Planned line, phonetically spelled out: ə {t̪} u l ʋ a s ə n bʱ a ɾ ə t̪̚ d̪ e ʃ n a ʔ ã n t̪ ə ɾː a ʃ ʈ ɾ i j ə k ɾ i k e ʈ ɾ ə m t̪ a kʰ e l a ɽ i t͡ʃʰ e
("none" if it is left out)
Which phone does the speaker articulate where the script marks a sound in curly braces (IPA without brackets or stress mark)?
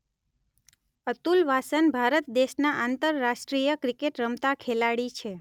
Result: t̪